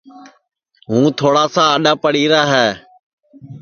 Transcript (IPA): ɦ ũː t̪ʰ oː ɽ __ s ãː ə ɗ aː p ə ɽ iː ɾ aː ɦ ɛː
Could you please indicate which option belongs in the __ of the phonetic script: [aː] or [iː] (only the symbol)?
aː